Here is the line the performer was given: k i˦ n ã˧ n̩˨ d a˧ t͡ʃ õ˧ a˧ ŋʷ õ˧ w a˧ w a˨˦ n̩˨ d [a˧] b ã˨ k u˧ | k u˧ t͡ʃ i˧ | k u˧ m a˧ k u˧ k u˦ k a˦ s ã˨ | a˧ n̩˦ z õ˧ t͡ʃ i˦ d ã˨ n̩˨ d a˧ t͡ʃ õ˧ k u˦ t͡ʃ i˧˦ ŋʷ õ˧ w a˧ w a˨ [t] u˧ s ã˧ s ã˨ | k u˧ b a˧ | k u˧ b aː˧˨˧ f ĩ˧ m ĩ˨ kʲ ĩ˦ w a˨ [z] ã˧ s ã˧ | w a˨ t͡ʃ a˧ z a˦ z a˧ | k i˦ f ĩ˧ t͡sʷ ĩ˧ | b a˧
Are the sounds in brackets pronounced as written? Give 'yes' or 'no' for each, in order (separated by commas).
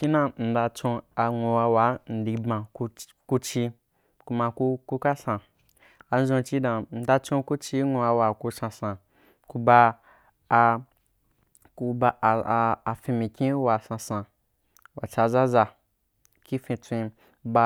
no, no, no